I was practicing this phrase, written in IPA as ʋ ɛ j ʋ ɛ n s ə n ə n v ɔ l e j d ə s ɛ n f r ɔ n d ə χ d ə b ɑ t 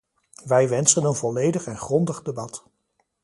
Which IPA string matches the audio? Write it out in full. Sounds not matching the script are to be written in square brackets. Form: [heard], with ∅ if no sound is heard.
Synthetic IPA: ʋ ɛ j ʋ ɛ n s ə n ə n v ɔ l e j d ə [χ] ɛ n [χ] r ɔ n d ə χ d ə b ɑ t

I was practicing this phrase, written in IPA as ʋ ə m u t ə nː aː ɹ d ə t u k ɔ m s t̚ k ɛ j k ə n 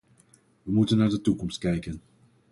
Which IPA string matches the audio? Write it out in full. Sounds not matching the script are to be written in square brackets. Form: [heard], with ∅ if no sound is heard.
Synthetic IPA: ʋ ə m u t ə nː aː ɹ d ə t u k ɔ m s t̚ k ɛ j k ə n

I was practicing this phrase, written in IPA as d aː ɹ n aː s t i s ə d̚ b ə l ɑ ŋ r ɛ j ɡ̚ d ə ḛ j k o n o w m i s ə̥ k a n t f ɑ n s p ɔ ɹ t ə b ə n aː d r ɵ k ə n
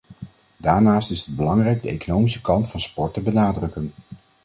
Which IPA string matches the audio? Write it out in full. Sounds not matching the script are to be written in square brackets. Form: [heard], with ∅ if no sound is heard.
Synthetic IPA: d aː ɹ n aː s t [ɪ] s ə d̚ b ə l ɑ ŋ r ɛ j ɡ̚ d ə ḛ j k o n o w m i s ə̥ k [ɑ] n t f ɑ n s p ɔ ɹ t ə b ə n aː d r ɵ k ə n

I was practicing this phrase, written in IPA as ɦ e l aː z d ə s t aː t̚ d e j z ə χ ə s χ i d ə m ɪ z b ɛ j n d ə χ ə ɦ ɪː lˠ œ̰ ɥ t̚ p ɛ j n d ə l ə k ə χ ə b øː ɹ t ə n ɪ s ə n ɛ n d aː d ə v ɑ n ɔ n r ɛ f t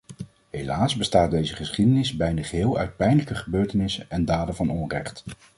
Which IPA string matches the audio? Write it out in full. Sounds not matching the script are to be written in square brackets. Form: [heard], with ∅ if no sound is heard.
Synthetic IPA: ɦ e l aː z [b] ə s t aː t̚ d e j z ə χ ə s χ i d ə [n] ɪ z b ɛ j n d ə χ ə ɦ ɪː lˠ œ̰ ɥ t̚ p ɛ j n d ə l ə k ə χ ə b øː ɹ t ə n ɪ s ə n ɛ n d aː d ə v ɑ n ɔ n r ɛ [χ] t

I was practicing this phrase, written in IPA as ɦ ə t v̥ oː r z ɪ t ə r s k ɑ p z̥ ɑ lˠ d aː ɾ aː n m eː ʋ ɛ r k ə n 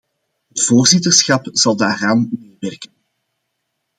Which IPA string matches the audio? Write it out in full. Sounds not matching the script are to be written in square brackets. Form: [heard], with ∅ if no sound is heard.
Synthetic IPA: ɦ ə t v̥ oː r z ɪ t ə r s [x] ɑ p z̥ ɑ lˠ d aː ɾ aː n m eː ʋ ɛ r k ə n

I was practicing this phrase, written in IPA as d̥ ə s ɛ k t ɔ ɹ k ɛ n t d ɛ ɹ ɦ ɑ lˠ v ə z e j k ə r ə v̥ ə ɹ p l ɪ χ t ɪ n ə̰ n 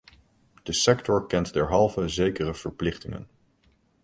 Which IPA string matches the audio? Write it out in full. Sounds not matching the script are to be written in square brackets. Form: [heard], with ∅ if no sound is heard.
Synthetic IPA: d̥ ə s ɛ k t ɔ ɹ k ɛ n t d ɛ ɹ ɦ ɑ lˠ v ə z e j k ə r ə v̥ ə ɹ p l ɪ χ t ɪ [ŋ] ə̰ n

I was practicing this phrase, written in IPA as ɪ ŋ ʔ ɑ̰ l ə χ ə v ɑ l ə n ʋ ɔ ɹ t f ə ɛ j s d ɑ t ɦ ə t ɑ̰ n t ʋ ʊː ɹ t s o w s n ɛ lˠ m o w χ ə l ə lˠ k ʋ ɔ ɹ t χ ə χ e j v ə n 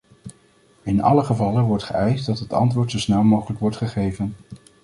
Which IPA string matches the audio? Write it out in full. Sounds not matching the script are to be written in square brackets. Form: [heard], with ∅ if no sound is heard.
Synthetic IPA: ɪ [n] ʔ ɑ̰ l ə χ ə v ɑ l ə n ʋ ɔ ɹ t [χ] ə ɛ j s d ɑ t ɦ ə t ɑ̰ n t ʋ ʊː ɹ t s o w s n ɛ lˠ m o w χ ə l ə [∅] k ʋ ɔ ɹ t χ ə χ e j v ə n

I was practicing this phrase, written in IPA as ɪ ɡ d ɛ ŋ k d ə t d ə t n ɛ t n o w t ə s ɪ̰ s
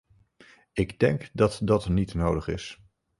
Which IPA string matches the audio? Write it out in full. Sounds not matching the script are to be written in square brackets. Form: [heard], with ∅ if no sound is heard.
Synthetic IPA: ɪ ɡ d ɛ ŋ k d [ɑ] t d [ɑ] t n [i] t n o w [d] ə [χ] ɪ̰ s

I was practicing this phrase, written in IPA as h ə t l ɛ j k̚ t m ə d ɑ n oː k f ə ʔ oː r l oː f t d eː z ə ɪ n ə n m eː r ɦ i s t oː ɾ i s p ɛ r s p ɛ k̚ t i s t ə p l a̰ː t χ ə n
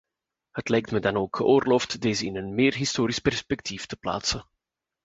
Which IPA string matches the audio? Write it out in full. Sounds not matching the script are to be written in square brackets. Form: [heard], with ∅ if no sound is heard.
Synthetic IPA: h ə t l ɛ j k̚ t m ə d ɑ n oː k [x] ə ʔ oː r l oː f t d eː z ə ɪ n ə n m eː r ɦ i s t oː ɾ i s p ɛ r s p ɛ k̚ t i [f] t ə p l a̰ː t [s] ə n

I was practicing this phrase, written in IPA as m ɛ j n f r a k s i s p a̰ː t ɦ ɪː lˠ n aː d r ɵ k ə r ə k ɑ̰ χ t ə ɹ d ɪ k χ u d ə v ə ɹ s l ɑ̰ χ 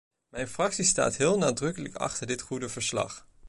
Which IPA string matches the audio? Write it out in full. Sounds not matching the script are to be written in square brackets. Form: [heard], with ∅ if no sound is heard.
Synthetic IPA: m ɛ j n f r [ɑ] k s i s [t] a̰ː t ɦ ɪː lˠ n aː d r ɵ k ə [l] ə k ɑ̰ χ t ə ɹ d ɪ [t] χ u d ə v ə ɹ s l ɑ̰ χ

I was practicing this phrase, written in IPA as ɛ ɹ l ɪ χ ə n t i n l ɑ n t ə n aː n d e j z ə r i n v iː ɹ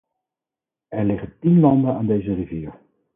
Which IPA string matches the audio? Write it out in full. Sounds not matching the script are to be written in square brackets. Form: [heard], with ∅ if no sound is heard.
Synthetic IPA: ɛ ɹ l ɪ χ ə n t i n l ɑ n [d] ə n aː n d e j z ə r i [∅] v iː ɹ

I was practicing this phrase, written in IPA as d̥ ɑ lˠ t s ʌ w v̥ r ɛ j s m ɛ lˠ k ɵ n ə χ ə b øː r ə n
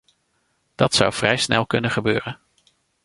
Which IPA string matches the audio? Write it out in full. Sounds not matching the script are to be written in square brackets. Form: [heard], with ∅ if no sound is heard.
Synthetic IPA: d̥ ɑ [∅] t s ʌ w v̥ r ɛ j s [n] ɛ lˠ k ɵ n ə χ ə b øː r ə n

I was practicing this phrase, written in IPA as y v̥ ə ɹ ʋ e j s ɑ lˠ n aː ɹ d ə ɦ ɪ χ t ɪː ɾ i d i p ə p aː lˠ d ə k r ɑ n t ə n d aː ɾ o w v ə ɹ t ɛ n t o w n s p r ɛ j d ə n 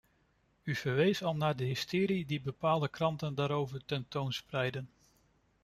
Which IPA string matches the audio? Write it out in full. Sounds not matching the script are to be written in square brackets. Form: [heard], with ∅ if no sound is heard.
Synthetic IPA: y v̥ ə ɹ ʋ e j s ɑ lˠ n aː ɹ d ə ɦ ɪ [s] t ɪː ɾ i d i [b] ə p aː lˠ d ə k r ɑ n t ə n d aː ɾ o w v ə ɹ t ɛ n t o w n s p r ɛ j d ə n

